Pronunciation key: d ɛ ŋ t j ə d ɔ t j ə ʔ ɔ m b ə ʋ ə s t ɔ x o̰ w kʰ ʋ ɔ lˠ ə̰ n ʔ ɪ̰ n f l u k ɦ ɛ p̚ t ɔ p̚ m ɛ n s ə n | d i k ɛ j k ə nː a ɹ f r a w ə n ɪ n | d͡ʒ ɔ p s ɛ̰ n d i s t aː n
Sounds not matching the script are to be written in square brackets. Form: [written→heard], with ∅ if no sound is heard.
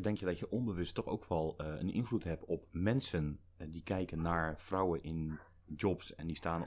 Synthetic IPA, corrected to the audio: d ɛ ŋ [t→k] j ə d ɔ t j ə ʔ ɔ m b ə ʋ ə s t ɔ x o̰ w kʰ ʋ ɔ lˠ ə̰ n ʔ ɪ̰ n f l u [k→t] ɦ ɛ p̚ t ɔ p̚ m ɛ n s ə n | d i k ɛ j k ə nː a ɹ f r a w ə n ɪ n | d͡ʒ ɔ p s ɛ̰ n d i s t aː n